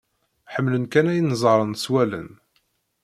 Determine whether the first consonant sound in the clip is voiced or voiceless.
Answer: voiceless